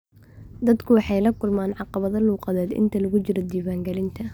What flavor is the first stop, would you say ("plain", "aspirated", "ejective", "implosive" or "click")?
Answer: plain